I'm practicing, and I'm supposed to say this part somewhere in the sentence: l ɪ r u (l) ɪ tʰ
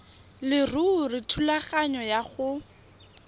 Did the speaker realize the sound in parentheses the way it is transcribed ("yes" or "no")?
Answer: no